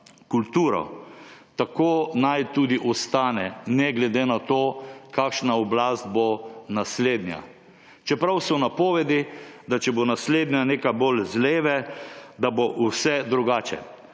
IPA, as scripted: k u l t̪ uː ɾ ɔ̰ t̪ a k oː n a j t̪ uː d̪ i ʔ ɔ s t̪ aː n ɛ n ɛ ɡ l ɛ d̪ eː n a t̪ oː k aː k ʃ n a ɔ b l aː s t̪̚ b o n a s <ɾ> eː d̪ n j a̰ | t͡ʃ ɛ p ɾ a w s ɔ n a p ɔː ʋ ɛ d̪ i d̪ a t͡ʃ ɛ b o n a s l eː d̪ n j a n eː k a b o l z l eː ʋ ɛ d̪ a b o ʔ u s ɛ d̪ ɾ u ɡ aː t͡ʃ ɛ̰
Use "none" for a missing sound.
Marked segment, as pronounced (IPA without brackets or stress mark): l